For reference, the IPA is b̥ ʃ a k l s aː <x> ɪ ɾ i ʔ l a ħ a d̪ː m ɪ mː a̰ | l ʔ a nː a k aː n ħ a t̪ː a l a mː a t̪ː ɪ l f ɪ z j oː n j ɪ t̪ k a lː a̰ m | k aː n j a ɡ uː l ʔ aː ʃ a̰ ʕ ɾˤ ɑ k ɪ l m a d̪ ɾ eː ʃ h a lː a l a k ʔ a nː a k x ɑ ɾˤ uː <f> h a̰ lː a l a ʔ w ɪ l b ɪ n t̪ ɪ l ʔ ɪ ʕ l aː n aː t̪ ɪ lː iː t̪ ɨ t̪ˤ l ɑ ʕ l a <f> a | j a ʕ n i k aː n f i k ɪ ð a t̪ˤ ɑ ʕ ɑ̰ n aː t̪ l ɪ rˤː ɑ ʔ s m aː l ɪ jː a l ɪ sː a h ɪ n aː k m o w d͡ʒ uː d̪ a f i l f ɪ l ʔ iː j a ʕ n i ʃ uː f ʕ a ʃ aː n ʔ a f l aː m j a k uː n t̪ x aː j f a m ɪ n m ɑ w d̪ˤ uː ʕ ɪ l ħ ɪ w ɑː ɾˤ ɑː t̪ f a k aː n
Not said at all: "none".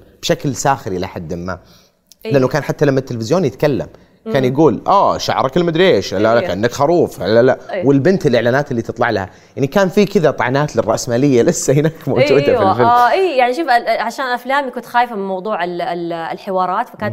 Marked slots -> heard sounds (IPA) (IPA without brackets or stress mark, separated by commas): x, f, h